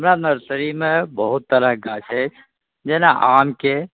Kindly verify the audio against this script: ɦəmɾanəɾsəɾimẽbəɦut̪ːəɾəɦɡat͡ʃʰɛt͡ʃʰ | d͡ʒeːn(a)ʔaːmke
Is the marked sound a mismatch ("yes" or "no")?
no